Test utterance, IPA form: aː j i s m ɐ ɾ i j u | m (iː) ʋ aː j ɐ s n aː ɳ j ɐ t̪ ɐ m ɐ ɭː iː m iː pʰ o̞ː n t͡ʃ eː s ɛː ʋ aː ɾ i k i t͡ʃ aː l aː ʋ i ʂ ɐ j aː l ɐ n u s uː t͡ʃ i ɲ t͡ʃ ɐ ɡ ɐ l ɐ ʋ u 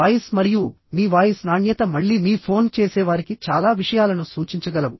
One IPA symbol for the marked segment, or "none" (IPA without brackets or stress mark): iː